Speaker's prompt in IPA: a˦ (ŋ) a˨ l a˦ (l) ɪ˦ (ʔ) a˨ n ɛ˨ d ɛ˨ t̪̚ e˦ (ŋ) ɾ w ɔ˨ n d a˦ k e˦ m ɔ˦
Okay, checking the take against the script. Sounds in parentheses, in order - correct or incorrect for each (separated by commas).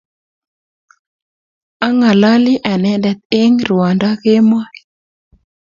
correct, correct, correct, correct